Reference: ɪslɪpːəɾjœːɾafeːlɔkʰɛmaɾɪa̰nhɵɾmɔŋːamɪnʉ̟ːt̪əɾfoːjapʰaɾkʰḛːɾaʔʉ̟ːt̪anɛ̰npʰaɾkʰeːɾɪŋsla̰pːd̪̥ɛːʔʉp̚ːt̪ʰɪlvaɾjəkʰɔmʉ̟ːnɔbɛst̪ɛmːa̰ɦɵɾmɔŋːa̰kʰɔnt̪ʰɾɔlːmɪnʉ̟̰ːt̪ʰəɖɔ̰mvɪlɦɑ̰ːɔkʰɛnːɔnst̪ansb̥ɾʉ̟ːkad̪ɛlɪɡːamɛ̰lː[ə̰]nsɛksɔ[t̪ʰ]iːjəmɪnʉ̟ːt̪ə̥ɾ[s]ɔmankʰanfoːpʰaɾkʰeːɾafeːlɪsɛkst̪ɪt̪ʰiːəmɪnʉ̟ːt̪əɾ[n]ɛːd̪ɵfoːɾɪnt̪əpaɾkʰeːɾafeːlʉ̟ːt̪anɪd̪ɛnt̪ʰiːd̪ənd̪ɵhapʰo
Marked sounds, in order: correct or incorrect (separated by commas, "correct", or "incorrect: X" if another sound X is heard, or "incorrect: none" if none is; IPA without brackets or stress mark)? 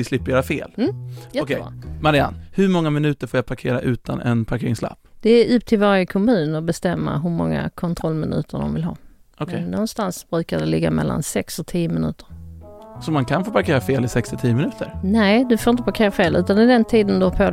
incorrect: a̰, correct, correct, correct